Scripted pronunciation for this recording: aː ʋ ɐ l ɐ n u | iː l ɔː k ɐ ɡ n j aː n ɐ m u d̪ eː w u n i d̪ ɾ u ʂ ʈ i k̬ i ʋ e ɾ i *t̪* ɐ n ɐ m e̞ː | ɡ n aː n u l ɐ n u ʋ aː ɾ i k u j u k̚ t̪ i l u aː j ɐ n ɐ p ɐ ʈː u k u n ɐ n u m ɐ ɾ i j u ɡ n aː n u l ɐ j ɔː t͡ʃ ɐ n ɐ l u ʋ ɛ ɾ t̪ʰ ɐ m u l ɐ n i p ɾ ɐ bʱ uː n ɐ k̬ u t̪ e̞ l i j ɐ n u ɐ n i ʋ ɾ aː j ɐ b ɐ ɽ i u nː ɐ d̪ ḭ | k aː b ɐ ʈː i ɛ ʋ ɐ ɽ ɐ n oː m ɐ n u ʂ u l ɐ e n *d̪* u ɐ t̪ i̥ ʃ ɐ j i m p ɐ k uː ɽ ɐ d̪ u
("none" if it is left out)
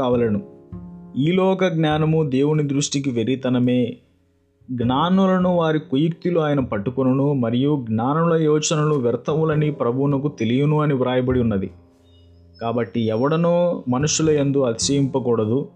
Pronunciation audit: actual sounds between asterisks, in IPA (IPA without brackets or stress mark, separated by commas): t̪, d̪